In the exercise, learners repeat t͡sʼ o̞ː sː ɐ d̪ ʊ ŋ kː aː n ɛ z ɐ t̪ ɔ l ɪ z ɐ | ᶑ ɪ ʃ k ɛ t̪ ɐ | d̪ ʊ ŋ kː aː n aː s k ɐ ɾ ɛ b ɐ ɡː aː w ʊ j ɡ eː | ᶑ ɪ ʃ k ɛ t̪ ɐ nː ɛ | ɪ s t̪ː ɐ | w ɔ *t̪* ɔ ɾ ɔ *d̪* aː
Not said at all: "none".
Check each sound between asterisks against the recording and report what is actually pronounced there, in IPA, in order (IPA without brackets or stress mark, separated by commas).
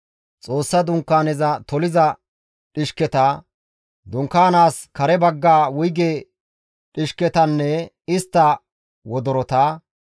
d̪, t̪